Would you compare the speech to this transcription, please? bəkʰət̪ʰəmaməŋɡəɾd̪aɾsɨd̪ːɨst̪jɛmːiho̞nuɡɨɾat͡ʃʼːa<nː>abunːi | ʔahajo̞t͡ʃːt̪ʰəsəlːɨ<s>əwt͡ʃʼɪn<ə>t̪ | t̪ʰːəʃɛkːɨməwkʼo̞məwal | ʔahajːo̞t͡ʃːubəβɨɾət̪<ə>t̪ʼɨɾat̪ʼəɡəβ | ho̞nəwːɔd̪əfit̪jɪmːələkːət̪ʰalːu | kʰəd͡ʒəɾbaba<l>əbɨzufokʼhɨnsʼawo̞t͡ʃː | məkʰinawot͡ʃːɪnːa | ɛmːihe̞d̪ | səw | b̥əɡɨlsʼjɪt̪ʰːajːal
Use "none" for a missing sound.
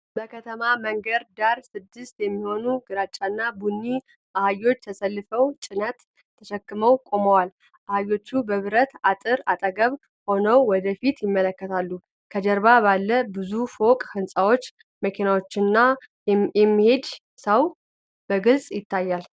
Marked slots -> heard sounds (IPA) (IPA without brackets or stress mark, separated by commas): nː, f, ə, a, lː